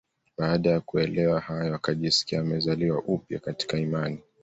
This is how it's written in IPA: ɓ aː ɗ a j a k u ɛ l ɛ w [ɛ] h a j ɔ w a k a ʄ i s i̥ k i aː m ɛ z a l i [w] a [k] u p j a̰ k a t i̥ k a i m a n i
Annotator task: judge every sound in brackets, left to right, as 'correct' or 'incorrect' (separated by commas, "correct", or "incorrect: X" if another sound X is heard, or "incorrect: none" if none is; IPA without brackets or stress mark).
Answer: incorrect: a, correct, incorrect: ʔ